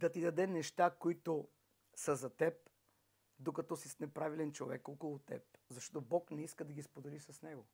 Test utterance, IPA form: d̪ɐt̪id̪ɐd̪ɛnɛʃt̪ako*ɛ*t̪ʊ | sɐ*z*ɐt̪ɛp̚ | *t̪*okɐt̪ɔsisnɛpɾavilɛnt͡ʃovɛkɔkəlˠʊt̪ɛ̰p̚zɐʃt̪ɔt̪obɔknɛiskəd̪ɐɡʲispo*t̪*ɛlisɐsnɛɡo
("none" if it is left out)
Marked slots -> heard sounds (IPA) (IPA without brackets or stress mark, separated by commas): i, z, d̪, d̪